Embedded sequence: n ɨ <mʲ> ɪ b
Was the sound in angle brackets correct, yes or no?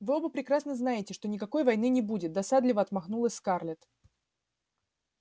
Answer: no